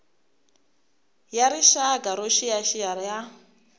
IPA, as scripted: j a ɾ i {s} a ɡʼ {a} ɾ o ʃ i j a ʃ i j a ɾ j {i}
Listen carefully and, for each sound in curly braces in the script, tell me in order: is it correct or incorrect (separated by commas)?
incorrect, correct, incorrect